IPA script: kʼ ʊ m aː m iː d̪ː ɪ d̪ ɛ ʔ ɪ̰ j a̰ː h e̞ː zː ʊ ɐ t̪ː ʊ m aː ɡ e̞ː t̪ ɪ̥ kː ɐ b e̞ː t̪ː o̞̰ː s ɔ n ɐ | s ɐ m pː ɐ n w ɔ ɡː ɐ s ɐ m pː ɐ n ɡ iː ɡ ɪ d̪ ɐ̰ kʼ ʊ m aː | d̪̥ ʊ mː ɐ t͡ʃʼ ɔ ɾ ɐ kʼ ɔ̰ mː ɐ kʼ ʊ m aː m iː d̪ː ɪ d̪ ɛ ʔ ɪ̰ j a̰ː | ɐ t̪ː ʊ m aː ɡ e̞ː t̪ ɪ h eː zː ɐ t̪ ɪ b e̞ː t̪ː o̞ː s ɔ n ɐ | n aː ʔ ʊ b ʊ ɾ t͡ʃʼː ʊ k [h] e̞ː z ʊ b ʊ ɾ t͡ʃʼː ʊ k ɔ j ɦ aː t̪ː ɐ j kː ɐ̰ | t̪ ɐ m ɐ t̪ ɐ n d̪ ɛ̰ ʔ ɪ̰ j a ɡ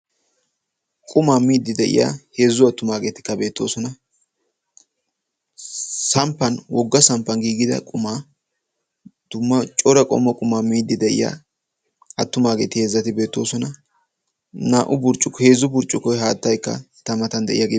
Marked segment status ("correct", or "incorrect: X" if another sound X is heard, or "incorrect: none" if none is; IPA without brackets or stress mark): correct